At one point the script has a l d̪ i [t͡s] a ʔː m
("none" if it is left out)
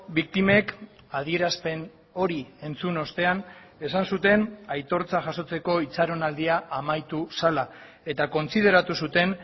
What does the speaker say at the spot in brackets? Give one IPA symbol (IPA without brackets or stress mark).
none